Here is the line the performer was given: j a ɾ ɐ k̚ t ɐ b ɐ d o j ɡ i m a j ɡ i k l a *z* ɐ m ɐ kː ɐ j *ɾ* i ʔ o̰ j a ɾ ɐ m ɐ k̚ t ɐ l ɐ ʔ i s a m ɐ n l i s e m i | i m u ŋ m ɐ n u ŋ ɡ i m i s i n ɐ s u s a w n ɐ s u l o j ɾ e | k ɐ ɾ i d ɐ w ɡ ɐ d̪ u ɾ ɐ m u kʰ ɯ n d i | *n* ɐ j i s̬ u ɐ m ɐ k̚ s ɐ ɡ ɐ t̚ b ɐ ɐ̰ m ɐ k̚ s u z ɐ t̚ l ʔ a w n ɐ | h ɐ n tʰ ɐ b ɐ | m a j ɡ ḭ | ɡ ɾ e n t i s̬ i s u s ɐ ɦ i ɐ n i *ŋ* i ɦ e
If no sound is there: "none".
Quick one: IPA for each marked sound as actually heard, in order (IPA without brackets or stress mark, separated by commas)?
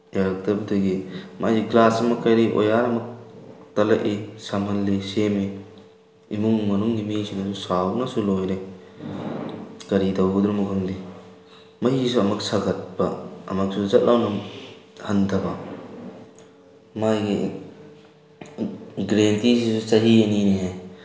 s, ɾ, m, n